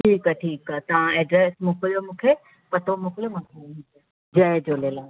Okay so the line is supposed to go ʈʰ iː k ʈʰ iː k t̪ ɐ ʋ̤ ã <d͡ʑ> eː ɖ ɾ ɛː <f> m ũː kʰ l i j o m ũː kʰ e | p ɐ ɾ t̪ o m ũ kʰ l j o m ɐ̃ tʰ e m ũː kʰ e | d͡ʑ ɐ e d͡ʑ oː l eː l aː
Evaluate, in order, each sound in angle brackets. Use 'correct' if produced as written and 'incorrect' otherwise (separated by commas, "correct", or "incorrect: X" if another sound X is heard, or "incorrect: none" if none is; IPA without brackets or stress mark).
incorrect: none, incorrect: s